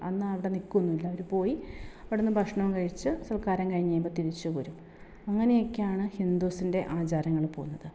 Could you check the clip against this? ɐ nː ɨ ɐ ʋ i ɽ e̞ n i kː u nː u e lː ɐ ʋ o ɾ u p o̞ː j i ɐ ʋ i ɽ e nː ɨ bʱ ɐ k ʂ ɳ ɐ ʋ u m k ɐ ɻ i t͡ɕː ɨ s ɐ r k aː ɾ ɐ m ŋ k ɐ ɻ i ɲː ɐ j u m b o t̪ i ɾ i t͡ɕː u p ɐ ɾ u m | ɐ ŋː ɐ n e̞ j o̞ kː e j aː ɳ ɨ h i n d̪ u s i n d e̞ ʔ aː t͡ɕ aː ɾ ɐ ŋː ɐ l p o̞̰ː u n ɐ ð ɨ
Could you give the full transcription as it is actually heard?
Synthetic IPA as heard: ɐ nː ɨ ɐ ʋ i ɽ e̞ n i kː u nː u i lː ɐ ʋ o ɾ u p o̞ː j i ɐ ʋ i ɽ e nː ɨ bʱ ɐ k ʂ ɳ ɐ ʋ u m k ɐ ɻ i t͡ɕː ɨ s ɐ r k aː ɾ ɐ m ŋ k ɐ ɻ i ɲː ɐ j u m b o t̪ i ɾ i t͡ɕː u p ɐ ɾ u m | ɐ ŋː ɐ n e̞ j o̞ kː e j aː ɳ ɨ h i n d̪ u s i n d e̞ ʔ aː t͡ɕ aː ɾ ɐ ŋː ɐ ɭ p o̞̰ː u nː ɐ ð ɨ